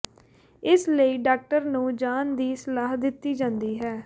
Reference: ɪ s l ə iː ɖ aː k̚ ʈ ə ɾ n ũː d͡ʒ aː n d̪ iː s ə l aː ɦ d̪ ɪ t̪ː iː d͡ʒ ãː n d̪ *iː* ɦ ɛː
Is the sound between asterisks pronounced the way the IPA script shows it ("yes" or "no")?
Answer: yes